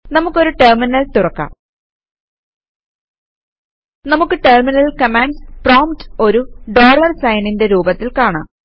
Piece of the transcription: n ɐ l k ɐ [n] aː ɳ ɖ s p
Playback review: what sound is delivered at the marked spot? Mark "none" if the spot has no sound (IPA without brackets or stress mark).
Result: m